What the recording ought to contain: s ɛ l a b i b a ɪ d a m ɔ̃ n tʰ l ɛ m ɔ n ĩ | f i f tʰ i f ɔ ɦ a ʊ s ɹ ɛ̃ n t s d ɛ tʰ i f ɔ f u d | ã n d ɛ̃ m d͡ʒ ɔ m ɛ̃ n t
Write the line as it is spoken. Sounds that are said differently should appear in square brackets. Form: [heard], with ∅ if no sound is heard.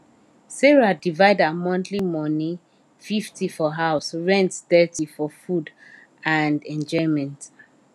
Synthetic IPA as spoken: s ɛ [ɹ] a [d] i [v] a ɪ d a m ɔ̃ n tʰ l [i] m ɔ n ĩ | f i f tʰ i f ɔ ɦ a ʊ s ɹ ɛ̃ n t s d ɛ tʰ i f ɔ f u d | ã n d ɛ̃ [n] d͡ʒ ɔ m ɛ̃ n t

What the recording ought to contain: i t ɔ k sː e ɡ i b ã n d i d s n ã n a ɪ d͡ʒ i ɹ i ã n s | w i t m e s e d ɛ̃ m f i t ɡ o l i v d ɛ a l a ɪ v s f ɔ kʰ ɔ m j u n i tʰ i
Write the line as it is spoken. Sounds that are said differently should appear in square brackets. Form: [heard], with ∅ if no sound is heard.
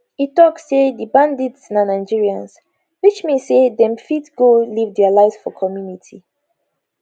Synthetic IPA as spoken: i t ɔ k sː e [d] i b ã n d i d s n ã n a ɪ d͡ʒ i ɹ i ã n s | w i [t͡ʃ] m e s e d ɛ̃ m f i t ɡ o l i v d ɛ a l a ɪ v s f ɔ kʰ ɔ m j u n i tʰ i

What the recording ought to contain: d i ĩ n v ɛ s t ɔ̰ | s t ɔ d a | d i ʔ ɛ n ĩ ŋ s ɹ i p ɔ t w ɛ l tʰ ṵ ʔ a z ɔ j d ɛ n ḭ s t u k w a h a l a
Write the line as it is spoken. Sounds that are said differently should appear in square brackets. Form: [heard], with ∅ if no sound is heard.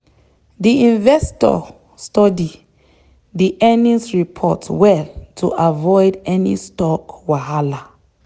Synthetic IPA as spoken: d i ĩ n v ɛ s t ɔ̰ | s t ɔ d [i] | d i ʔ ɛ n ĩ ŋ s ɹ i [pʰ] ɔ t w ɛ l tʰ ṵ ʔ a [v] ɔ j d ɛ n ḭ s t [ɔ] k w a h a l a

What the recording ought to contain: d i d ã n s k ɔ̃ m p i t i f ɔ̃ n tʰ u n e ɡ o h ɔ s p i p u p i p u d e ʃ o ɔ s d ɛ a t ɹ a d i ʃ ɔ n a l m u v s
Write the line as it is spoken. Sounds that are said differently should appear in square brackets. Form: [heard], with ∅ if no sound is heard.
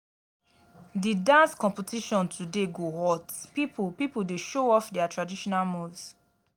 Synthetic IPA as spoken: d i d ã n s k ɔ̃ m p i t i [ʃ] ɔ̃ n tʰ u [d] e ɡ o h ɔ [t] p i p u p i p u d e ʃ o ɔ [f] d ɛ a t ɹ a d i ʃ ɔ n a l m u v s

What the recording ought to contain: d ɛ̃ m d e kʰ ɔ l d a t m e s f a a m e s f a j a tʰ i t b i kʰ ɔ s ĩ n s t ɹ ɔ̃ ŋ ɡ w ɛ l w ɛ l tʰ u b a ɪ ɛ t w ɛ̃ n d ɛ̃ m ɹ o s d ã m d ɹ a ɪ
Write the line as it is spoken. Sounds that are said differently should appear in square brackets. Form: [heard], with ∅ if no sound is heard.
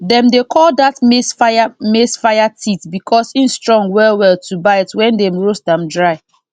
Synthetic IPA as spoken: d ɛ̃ m d e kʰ ɔ l d a t m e s f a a m e s f a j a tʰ i t b i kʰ ɔ s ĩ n s t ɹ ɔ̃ ŋ ɡ w ɛ l w ɛ l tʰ u b a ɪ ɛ t w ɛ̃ n d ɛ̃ m ɹ o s d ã m d ɹ a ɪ

